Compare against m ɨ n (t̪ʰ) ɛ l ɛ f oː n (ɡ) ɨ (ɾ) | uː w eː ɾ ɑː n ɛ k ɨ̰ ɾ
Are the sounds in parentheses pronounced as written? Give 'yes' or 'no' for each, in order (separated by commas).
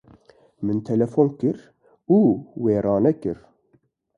yes, no, yes